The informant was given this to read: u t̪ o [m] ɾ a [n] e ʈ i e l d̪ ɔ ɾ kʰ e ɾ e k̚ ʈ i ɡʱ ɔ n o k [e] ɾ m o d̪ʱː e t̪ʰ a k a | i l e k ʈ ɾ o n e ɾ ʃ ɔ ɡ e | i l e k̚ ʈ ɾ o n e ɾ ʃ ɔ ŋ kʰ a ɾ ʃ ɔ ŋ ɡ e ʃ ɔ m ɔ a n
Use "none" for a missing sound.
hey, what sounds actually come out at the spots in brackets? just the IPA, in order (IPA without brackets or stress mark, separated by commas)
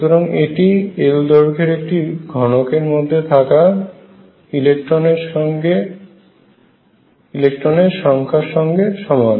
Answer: none, ŋ, e